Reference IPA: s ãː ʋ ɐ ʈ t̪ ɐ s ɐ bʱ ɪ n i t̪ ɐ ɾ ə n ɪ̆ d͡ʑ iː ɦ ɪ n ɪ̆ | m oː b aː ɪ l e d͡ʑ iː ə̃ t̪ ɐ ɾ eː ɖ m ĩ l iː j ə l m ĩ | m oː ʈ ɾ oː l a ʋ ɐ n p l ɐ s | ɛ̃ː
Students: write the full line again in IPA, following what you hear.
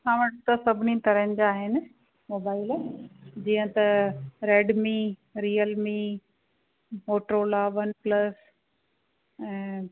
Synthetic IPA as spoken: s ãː ʋ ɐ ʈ t̪ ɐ s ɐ bʱ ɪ n i t̪ ɐ ɾ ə n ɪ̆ d͡ʑ aː ɦ ɪ n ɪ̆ | m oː b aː ɪ l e d͡ʑ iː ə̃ t̪ ɐ ɾ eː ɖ m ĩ ɾ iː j ə l m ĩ | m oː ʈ ɾ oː l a ʋ ɐ n p l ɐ s | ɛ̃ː